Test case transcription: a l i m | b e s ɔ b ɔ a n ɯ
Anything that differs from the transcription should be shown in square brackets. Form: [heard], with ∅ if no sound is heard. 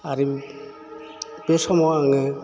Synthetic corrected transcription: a [ɾ] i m | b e s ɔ [m] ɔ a [ŋ] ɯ

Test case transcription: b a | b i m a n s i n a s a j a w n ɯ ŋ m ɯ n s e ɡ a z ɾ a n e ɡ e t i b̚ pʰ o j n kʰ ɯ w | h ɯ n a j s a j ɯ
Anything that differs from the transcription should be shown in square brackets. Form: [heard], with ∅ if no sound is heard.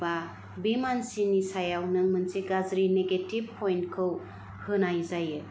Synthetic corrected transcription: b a | b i m a n s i n [i] s a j a w n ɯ ŋ m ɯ n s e ɡ a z ɾ [i] n e ɡ e t i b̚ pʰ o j n kʰ ɯ w | h ɯ n a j [z] a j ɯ

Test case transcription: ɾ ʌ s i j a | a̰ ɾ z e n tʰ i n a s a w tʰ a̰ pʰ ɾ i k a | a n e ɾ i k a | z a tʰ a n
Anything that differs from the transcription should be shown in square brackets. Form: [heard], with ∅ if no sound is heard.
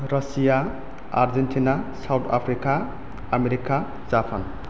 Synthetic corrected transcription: ɾ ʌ s i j a | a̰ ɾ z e n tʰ i n a s a w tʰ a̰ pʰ ɾ i k a | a [m] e ɾ i k a | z a [pʰ] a n

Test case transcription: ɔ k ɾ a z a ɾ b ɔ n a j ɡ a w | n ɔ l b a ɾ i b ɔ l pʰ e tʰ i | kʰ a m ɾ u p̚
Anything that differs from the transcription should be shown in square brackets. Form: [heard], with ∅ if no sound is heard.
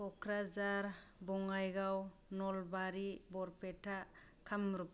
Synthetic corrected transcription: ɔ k ɾ a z a ɾ b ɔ [ŋ] a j ɡ a w | n ɔ l b a ɾ i b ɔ [ɾ] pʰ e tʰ [a] | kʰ a m ɾ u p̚

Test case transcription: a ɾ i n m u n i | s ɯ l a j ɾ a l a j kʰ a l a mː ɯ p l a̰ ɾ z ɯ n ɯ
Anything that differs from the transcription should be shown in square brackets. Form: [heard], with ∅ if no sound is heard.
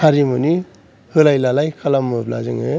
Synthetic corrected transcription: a ɾ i [∅] m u n i | [h] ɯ l a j [l] a l a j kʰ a l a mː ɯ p l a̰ [∅] z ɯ [ŋ] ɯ

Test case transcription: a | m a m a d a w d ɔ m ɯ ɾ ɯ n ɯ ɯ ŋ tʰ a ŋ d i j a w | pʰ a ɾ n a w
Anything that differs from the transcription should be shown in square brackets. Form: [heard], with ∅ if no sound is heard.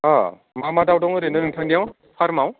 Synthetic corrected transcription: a | m a m a d a w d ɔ [ŋ] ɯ ɾ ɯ n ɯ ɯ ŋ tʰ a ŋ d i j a w | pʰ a ɾ [m] a w

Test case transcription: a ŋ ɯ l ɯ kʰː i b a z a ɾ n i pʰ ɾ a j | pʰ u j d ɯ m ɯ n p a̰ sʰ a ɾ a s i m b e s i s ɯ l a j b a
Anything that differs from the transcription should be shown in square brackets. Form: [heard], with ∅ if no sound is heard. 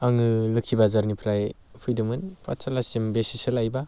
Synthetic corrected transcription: a ŋ ɯ l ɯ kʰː i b a z a ɾ n i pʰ ɾ a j | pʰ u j d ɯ m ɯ n p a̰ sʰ a [l] a s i m b e s i s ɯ l a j b a

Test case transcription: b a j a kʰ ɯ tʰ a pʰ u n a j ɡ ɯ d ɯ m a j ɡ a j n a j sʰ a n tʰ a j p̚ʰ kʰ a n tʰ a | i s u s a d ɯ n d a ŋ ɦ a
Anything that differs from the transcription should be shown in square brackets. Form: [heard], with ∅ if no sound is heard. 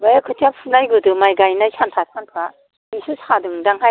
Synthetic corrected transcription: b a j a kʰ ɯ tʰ a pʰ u n a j ɡ ɯ d ɯ m a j ɡ a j n a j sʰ a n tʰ a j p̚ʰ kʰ a n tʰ a | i s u s a d ɯ [ŋ] d a ŋ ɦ a

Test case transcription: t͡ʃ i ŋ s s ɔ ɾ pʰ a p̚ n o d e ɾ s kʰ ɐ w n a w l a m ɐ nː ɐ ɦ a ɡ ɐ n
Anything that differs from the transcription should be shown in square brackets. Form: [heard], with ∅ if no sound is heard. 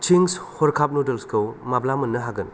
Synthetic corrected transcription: t͡ʃ i ŋ s [h] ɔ ɾ [kʰ] a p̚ n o d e [l] s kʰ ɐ w [m] a [b] l a m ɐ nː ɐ ɦ a ɡ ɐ n

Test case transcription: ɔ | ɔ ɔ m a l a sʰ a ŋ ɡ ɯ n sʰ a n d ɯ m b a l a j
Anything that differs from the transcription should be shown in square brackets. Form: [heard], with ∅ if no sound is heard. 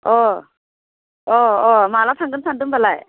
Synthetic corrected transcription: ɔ | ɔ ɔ m a l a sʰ a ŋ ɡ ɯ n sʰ a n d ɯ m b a l a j

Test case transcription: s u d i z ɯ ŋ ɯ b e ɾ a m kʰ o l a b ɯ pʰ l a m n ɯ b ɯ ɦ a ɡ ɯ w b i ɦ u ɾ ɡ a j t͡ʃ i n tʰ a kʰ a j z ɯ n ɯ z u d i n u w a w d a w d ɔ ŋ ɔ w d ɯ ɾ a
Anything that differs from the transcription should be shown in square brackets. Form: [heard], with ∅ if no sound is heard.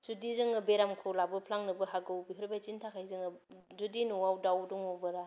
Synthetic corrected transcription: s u d i z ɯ ŋ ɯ b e ɾ a m kʰ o l a b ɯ pʰ l a [ŋ] n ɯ b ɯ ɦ a ɡ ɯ w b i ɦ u ɾ [b] a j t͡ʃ i n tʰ a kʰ a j z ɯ [ŋ] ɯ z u d i n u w a w d a w d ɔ ŋ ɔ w [b] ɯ ɾ a

